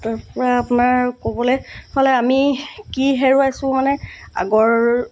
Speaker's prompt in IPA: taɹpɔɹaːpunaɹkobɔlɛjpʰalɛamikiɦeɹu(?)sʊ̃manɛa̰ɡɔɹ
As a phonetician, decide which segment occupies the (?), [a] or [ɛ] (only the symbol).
a